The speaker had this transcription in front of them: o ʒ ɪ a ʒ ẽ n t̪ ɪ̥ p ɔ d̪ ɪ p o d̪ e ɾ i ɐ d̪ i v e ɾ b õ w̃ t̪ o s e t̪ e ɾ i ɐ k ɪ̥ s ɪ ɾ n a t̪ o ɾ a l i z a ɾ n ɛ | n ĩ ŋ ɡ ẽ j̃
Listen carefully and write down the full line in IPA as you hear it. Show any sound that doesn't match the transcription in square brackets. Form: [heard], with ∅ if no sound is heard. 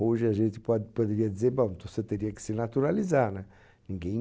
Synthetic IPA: o ʒ ɪ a ʒ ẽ n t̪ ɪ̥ p ɔ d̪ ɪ p o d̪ e ɾ i ɐ d̪ i [z] e ɾ b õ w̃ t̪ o s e t̪ e ɾ i ɐ k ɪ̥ s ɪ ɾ n a t̪ [u] ɾ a l i z a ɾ n ɛ | n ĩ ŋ ɡ ẽ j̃